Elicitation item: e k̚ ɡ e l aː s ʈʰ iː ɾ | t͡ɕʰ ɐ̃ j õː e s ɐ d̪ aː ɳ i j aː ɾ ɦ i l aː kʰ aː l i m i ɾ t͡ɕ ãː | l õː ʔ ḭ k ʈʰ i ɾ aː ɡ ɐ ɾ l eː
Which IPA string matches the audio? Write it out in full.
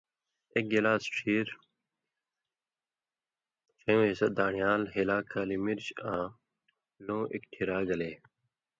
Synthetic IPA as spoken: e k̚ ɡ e l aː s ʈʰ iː ɾ | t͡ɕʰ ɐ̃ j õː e s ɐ d̪ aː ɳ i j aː l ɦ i l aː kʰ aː l i m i ɾ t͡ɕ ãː | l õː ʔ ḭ k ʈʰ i ɾ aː ɡ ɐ l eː